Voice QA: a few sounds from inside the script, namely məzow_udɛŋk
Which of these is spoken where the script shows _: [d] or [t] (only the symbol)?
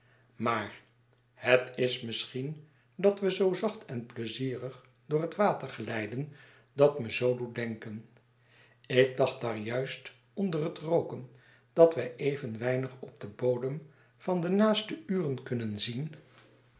d